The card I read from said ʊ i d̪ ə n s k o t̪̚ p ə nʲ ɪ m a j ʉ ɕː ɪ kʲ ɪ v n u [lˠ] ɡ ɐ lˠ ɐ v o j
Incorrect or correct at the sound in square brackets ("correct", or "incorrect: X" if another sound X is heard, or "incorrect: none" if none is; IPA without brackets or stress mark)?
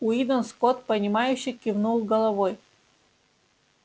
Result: correct